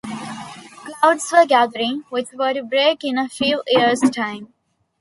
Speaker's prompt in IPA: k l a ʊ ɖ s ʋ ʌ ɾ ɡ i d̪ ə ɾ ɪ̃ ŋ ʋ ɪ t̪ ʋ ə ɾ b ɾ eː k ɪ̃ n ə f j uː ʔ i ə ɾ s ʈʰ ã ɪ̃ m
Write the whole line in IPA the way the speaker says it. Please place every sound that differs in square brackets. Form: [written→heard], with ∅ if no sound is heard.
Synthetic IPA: k l a ʊ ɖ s ʋ [ʌ→ə] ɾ ɡ [i→æ] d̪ ə ɾ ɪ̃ ŋ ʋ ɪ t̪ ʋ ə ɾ b ɾ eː k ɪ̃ n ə f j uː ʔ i ə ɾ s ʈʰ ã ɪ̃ m